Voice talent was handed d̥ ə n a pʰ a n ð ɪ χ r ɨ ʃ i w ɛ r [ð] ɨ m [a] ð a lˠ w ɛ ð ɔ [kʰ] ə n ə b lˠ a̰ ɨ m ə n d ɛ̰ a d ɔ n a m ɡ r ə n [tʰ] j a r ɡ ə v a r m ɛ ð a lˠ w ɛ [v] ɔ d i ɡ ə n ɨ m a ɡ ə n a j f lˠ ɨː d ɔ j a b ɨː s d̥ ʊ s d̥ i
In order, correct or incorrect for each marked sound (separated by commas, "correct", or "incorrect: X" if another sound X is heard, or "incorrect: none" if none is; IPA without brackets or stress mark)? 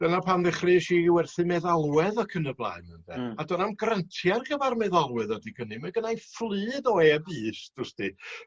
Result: incorrect: θ, incorrect: ɛ, correct, correct, incorrect: ð